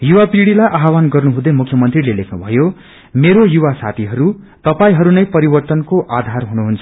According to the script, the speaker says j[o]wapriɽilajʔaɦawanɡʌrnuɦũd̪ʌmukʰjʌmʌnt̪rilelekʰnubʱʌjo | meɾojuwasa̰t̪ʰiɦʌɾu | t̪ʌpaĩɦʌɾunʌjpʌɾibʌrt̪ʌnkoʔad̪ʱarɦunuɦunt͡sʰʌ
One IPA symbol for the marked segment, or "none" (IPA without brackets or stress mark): u